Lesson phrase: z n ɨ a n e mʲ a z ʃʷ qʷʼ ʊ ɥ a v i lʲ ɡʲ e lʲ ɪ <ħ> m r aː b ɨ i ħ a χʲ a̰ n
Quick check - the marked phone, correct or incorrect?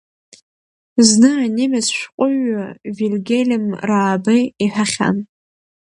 incorrect